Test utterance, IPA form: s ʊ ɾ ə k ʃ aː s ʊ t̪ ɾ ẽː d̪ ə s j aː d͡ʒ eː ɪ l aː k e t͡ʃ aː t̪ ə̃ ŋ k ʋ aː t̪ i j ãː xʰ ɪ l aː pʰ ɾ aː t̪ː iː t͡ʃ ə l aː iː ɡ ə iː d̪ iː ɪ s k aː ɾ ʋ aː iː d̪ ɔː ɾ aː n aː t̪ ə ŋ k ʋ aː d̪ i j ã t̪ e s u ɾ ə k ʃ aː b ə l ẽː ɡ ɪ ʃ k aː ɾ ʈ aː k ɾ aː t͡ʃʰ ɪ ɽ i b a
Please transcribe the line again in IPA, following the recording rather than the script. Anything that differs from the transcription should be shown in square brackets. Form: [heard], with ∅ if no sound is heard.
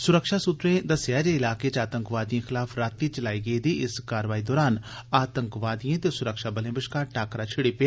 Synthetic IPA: s ʊ ɾ ə k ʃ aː s ʊ t̪ ɾ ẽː d̪ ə s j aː d͡ʒ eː ɪ l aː k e t͡ʃ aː t̪ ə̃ ŋ k ʋ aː [d̪] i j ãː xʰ ɪ l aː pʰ ɾ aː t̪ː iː t͡ʃ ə l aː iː ɡ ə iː d̪ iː ɪ s k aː ɾ ʋ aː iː d̪ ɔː ɾ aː n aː t̪ ə ŋ k ʋ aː d̪ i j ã t̪ e s [ʊ] ɾ ə k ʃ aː b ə l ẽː [b] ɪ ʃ k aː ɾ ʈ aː k ɾ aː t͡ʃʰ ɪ ɽ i [p] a